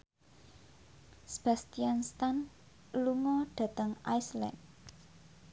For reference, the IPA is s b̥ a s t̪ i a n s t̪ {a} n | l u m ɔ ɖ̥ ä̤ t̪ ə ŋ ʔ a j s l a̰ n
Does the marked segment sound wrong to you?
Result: no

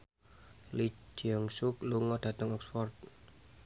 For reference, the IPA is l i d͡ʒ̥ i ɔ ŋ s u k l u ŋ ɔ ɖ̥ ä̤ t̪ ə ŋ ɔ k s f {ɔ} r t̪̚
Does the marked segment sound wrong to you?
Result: no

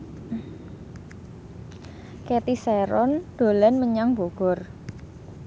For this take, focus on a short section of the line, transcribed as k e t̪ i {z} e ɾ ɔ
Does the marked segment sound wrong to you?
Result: yes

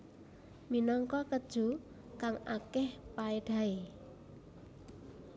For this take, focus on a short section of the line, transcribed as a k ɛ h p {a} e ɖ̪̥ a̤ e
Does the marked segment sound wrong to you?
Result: no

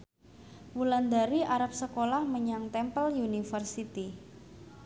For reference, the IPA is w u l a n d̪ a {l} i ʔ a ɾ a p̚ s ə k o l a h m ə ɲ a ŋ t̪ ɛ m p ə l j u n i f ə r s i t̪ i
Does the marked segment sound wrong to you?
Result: yes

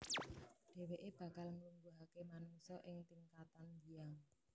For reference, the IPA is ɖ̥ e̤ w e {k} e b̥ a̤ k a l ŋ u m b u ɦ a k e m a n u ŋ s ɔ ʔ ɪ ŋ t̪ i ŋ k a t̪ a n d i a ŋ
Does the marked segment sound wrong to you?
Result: yes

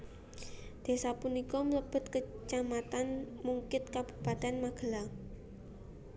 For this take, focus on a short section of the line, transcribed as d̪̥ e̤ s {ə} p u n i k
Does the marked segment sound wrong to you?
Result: yes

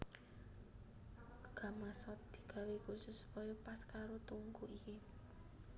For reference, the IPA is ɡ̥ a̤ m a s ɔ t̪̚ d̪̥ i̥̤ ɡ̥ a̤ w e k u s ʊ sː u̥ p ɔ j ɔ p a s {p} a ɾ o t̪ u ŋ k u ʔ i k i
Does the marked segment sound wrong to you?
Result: yes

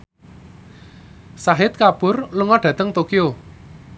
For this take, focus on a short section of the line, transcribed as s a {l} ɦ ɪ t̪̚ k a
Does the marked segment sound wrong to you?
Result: yes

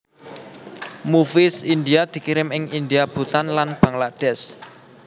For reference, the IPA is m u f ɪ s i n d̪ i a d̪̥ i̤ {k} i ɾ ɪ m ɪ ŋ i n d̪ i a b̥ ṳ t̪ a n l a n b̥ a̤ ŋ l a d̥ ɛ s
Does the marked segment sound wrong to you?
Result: no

